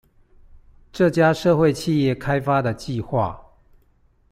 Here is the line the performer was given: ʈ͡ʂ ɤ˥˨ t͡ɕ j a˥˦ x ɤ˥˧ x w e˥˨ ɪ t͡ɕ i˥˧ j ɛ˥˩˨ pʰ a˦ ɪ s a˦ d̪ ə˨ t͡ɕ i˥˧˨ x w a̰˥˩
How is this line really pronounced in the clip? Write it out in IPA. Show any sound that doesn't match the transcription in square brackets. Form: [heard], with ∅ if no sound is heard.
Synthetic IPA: ʈ͡ʂ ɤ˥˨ t͡ɕ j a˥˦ [ʂ] ɤ˥˧ x w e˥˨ ɪ [t͡ɕʰ] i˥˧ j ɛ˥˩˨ [kʰ] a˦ ɪ [f] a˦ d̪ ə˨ t͡ɕ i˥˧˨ x w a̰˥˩